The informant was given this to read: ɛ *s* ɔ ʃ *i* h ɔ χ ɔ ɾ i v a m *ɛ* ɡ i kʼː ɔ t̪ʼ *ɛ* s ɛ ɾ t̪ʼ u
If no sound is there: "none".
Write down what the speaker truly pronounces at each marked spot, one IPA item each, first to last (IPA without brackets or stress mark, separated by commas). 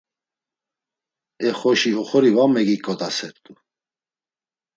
χ, i, ɛ, a